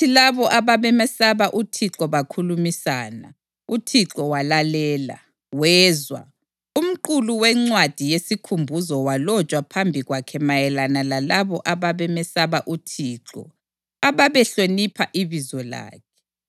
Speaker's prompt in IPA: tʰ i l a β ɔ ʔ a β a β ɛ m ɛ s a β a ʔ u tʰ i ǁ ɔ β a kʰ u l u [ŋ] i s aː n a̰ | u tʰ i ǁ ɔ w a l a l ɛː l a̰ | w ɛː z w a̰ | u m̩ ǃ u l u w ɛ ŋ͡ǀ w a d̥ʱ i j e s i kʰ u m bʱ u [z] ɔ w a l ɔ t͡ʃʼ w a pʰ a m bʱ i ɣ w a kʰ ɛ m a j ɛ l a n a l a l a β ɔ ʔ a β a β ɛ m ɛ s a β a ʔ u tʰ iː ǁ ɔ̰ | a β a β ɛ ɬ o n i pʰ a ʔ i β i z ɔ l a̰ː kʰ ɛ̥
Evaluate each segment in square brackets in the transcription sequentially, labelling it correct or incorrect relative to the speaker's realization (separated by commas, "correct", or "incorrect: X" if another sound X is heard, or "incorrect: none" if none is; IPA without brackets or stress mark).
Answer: incorrect: m, correct